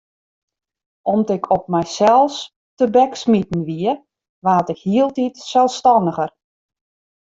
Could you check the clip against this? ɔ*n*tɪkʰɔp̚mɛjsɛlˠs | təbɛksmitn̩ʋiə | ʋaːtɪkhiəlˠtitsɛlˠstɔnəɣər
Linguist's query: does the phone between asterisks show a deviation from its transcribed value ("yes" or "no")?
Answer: yes